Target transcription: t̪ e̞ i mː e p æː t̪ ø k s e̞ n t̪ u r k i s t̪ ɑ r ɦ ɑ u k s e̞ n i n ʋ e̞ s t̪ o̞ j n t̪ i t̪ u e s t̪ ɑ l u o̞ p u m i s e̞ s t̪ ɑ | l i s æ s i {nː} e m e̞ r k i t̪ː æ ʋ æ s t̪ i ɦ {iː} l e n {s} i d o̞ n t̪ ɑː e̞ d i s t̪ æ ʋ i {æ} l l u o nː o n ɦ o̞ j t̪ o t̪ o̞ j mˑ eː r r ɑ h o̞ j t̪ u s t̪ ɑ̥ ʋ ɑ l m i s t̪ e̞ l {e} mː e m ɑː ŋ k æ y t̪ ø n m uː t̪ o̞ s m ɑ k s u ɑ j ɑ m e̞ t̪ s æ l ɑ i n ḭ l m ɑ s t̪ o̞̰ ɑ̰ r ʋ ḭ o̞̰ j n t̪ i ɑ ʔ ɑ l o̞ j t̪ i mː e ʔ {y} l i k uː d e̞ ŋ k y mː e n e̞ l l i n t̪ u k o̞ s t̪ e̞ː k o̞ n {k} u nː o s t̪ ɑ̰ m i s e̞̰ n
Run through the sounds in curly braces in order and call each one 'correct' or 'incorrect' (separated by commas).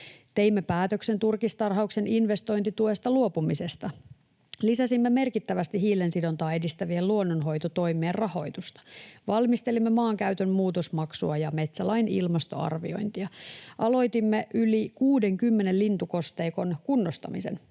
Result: incorrect, correct, correct, incorrect, incorrect, correct, correct